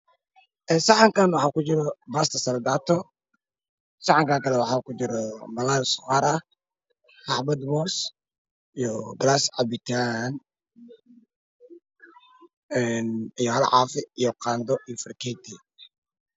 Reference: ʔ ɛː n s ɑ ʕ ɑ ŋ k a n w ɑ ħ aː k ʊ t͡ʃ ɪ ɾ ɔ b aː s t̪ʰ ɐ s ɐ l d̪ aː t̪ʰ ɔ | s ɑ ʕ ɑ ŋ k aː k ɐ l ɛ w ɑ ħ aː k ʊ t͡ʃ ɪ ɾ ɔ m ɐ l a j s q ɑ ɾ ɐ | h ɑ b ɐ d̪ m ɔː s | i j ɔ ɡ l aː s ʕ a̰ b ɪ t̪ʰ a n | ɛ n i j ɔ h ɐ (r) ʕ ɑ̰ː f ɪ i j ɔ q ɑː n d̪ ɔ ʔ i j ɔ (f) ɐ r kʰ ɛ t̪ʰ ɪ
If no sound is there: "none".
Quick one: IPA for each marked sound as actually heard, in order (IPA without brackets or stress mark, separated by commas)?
l, f